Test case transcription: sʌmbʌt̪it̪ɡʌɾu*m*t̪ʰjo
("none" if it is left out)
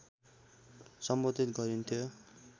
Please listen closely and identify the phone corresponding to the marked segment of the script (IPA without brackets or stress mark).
n